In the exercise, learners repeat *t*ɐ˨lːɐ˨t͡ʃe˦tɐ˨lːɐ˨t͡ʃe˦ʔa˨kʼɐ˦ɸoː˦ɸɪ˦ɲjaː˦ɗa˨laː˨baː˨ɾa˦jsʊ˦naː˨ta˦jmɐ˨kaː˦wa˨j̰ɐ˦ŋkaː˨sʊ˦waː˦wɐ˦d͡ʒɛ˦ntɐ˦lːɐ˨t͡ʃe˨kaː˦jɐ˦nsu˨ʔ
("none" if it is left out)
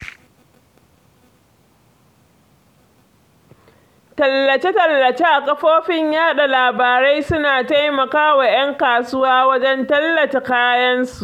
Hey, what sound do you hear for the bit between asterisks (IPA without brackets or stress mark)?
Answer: t